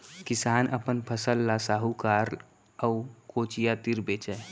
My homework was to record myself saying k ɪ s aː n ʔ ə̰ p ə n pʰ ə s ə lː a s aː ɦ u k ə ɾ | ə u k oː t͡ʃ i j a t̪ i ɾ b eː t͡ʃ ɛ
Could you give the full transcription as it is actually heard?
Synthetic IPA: k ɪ s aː n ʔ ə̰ p ə n pʰ ə s ə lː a s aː ɦ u k a ɾ | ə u k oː t͡ʃ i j a t̪ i ɾ b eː t͡ʃ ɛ